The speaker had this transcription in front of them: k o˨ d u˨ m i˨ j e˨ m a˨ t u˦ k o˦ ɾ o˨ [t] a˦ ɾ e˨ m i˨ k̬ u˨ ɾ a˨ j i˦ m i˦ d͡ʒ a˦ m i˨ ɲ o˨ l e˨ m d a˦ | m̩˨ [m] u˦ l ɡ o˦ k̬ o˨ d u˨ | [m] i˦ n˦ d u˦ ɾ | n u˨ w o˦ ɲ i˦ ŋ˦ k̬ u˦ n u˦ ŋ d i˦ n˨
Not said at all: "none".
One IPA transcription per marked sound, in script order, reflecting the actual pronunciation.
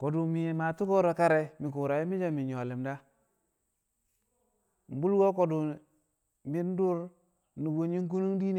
k, b, m

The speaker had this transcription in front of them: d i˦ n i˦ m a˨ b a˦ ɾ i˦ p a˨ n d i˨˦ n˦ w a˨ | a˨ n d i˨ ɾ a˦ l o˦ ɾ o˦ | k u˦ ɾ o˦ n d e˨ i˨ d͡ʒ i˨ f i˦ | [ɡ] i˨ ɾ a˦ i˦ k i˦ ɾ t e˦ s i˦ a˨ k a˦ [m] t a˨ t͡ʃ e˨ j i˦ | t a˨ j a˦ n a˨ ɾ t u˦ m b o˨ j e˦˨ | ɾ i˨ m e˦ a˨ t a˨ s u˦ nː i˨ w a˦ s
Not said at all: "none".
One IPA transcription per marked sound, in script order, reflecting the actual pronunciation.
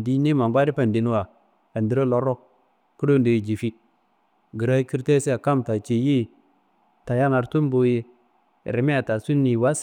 ɡ, m

